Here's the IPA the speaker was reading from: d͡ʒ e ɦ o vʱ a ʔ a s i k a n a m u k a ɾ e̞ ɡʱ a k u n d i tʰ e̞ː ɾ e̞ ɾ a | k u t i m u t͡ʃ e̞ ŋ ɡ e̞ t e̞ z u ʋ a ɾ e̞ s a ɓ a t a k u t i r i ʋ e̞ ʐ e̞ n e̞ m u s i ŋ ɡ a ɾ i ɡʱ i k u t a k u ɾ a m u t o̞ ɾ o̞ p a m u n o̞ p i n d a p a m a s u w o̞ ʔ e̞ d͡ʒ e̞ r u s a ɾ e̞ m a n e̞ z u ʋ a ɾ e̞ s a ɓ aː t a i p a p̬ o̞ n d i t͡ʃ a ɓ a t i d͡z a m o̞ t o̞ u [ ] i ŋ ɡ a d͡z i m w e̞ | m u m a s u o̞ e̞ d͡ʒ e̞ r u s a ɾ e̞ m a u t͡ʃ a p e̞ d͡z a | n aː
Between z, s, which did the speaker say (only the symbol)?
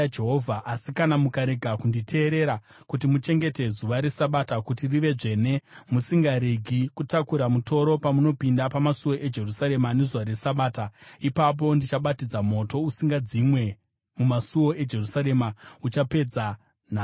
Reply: s